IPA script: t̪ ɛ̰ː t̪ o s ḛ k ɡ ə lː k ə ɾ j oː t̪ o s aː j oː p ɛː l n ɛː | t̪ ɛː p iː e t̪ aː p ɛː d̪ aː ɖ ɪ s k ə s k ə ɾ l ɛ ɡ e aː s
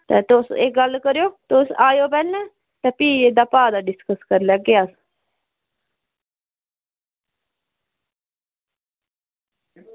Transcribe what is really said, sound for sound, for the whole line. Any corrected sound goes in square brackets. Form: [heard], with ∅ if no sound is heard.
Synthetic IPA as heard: t̪ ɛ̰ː t̪ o s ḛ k ɡ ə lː k ə ɾ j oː t̪ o s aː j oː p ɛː l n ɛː | t̪ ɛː p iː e [d̪] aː p [aː] d̪ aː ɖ ɪ s k ə s k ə ɾ l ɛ ɡ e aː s